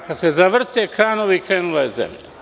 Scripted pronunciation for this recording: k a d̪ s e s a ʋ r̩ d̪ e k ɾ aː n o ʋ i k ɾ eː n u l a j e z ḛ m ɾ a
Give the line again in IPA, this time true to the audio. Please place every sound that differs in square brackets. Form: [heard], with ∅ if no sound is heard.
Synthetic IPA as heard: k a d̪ s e [z] a ʋ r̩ [t̪] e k ɾ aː n o ʋ i k ɾ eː n u l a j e z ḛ m [ʎ] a